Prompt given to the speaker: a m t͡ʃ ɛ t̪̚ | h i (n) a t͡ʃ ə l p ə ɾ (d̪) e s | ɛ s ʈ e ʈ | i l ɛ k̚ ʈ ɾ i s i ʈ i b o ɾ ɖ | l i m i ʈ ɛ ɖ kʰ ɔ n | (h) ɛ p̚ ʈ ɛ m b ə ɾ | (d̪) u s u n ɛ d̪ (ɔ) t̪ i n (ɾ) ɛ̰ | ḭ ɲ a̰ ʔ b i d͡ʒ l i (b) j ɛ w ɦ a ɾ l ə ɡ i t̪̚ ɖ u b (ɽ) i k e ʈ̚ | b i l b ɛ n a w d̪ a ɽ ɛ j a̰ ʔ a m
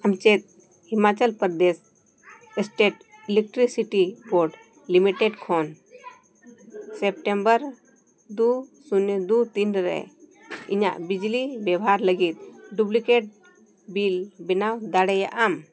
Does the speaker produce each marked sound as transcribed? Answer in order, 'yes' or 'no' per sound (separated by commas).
no, yes, no, yes, no, yes, yes, no